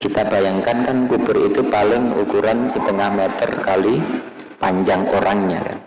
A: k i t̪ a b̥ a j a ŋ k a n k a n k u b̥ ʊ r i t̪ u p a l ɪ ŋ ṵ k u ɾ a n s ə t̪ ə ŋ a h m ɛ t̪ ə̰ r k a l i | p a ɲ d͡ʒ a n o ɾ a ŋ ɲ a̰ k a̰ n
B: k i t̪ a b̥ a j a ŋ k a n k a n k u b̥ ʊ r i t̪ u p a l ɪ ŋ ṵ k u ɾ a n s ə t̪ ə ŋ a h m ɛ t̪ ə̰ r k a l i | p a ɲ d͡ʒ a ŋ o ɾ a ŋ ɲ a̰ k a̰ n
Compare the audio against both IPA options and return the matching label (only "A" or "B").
B